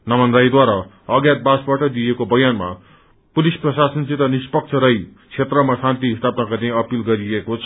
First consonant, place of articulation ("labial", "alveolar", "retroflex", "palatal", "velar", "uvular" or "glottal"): alveolar